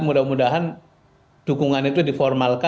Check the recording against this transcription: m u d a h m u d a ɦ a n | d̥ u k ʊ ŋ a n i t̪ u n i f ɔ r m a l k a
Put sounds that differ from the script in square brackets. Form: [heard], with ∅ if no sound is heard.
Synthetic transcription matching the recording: m u d a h m u d a ɦ a n | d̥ u k [u] ŋ a n i t̪ u [d] i f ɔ r m a l k a